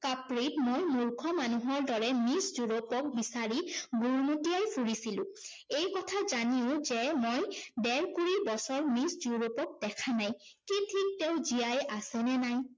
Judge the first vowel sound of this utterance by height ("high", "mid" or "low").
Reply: low